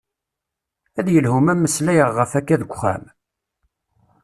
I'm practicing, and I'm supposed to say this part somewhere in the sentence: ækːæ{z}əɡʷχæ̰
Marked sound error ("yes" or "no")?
yes